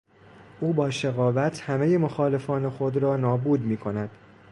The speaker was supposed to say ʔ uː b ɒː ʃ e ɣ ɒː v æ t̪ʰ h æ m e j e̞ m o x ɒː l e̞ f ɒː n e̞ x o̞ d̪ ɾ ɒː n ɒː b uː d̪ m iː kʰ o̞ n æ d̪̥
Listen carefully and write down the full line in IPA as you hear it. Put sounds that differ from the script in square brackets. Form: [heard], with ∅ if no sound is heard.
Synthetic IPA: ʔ uː b ɒː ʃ e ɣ ɒː v æ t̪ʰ h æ m e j e̞ m o x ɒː l e̞ f ɒː n e̞ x o̞ d̪ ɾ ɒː n ɒː b uː d̪ m iː kʰ o̞ n æ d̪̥